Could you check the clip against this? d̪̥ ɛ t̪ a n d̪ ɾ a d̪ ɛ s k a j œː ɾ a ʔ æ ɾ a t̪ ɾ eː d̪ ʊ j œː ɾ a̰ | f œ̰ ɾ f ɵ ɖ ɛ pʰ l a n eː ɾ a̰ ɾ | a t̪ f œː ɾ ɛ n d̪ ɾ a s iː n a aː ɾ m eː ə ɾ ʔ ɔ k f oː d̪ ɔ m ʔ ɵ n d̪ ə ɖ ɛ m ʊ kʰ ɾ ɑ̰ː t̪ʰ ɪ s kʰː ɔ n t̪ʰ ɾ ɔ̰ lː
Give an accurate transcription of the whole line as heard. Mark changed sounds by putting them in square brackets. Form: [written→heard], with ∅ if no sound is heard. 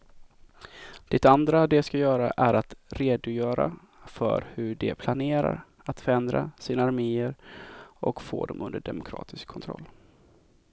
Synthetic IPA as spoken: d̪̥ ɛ t̪ a n d̪ ɾ a d̪ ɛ s k a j œː ɾ a ʔ æ ɾ a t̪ ɾ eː d̪ ʊ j œː ɾ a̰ | f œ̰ ɾ [f→h] ɵ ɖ ɛ pʰ l a n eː ɾ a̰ ɾ | a t̪ f [œː→œ] ɾ ɛ n d̪ ɾ a s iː n a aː ɾ m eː ə ɾ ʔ ɔ k f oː d̪ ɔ m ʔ ɵ n d̪ ə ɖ ɛ m ʊ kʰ ɾ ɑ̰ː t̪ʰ ɪ s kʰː ɔ n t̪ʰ ɾ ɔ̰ lː